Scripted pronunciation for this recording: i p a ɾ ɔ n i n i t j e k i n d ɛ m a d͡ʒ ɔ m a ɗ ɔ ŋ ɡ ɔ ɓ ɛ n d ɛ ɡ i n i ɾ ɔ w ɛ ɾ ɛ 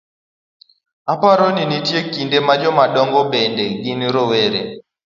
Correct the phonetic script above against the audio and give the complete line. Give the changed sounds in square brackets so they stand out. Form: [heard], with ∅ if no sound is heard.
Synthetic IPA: [a] p a ɾ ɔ n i n i t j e k i n d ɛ m a d͡ʒ ɔ m a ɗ ɔ ŋ ɡ ɔ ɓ ɛ n d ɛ ɡ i n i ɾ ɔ w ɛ ɾ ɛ